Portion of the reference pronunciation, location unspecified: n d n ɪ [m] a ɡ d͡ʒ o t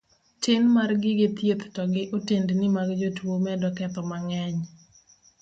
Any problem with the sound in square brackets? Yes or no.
no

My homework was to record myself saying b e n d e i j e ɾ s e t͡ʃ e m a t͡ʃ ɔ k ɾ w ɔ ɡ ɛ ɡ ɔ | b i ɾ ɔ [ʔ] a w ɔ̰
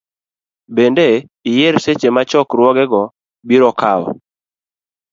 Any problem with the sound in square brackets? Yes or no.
yes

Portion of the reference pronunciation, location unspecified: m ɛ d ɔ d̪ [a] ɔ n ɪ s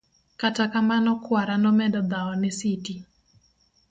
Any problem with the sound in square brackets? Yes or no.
no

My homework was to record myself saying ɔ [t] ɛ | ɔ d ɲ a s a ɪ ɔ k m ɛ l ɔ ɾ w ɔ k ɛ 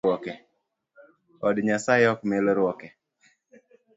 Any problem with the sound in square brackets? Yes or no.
yes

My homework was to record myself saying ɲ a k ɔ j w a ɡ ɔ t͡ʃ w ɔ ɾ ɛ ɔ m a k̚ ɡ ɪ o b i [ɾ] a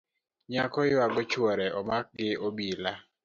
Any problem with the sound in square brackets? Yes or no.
yes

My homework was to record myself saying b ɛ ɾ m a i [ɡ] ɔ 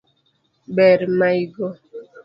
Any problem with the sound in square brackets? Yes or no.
no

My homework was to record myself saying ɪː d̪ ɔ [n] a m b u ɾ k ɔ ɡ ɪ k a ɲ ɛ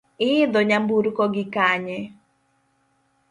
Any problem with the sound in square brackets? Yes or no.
yes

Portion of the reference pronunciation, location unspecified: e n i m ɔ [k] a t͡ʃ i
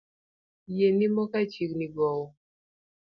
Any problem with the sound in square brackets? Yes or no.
no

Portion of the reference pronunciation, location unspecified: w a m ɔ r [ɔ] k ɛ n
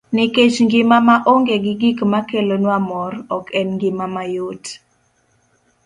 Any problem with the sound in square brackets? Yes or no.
no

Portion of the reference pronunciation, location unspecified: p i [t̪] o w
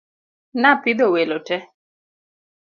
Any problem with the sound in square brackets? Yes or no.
yes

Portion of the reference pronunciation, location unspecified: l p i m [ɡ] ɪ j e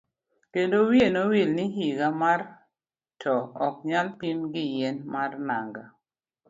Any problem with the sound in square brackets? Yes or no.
no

